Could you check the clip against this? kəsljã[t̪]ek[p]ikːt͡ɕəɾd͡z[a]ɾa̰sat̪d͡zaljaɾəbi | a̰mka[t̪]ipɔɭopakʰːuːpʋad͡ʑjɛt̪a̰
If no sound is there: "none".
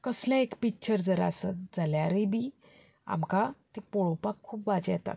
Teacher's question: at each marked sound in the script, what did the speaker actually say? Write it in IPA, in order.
none, p, ə, t̪

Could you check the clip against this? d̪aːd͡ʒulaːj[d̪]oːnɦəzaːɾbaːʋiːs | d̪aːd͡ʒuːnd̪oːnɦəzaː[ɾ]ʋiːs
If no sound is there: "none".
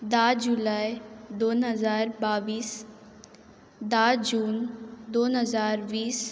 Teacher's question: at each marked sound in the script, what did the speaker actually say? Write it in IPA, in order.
d̪, ɾ

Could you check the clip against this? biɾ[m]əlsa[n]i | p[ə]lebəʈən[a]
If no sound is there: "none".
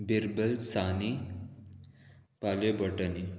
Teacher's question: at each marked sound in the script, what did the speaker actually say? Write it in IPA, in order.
b, n, a, i

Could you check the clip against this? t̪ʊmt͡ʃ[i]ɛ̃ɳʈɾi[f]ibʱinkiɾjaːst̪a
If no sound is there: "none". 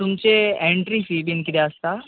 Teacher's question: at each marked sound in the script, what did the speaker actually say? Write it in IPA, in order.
e, f

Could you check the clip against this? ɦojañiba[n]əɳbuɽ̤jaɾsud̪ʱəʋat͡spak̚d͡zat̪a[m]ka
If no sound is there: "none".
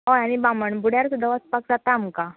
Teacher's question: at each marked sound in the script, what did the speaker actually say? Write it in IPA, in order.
m, m

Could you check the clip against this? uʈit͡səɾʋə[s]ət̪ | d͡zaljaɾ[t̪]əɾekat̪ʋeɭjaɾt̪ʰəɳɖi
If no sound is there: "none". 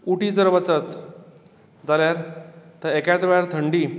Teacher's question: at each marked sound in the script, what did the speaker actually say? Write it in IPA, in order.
t͡s, t̪

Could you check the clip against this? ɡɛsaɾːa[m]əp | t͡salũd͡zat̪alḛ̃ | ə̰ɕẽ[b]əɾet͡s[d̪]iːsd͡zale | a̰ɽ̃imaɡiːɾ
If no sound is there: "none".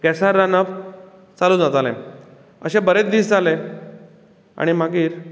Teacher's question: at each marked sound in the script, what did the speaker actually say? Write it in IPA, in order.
n, b, d̪

